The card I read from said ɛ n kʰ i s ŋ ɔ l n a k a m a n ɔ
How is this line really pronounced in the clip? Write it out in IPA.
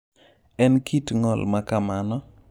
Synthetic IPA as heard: ɛ n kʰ i t ŋ ɔ l m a k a m a n ɔ